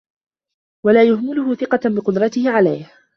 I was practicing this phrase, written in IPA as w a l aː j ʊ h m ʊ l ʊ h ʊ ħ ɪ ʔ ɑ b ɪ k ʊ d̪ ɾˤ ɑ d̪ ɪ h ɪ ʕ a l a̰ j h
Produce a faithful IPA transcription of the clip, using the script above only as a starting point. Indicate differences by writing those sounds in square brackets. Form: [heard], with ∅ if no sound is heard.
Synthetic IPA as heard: w a l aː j ʊ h m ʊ l ʊ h ʊ [θ] ɪ [q] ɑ b ɪ [q] ʊ d̪ ɾˤ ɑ [t̪] ɪ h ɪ ʕ a l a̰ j h